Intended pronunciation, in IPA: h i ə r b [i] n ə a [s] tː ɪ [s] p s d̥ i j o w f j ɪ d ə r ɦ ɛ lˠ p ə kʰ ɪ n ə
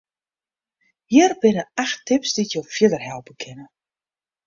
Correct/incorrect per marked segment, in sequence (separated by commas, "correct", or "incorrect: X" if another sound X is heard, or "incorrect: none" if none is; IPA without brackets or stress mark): incorrect: ɪ, incorrect: x, incorrect: none